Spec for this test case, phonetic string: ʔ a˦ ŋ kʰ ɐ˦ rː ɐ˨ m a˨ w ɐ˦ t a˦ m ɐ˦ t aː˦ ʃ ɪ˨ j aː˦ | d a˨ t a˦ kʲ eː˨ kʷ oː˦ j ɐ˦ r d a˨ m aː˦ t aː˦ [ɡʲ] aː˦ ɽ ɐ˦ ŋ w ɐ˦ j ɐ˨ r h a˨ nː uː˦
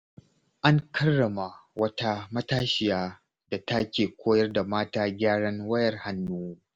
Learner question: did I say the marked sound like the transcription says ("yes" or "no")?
yes